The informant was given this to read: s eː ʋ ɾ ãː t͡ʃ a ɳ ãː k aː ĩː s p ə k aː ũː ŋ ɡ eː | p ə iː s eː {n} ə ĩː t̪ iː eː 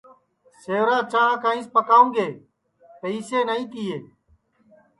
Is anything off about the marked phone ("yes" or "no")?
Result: no